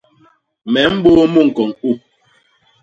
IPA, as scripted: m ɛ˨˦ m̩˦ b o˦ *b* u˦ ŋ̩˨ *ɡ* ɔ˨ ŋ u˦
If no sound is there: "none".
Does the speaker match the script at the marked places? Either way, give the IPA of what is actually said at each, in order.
m, k

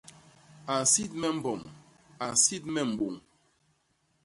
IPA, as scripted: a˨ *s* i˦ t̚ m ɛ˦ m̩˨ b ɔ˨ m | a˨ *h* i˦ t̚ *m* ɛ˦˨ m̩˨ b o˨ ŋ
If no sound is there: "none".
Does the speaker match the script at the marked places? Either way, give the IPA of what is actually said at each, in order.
s, s, m

